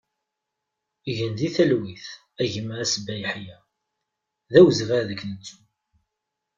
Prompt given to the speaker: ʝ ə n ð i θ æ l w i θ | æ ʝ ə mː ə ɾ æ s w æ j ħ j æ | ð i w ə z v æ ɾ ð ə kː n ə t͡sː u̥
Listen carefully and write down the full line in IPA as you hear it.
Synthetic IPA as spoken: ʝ ə n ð i θ æ l w i θ | æ ʝ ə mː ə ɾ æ s b æ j ħ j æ | ð æ w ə z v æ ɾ ð ə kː n ə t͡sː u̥